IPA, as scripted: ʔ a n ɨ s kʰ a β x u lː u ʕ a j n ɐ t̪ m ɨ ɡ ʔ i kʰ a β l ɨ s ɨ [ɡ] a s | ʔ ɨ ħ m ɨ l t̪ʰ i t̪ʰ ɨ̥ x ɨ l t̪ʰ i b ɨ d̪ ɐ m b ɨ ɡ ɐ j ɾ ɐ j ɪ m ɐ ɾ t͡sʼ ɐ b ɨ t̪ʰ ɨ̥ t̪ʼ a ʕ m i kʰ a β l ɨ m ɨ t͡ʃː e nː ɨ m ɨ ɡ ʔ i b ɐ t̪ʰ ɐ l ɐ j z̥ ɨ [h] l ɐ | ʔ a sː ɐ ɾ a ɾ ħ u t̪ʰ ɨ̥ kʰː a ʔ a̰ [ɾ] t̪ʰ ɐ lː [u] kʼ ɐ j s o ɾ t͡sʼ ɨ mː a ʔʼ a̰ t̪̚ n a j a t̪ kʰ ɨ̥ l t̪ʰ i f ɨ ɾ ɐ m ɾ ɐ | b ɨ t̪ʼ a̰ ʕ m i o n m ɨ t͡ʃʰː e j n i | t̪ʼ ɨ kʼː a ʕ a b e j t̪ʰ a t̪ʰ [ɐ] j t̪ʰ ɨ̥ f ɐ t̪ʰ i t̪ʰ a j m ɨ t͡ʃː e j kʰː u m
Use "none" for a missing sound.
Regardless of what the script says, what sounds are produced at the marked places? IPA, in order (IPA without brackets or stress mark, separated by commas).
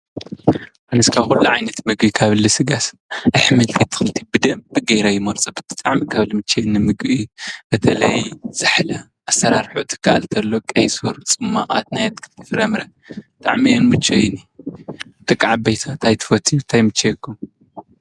ɡ, ħ, l, o, a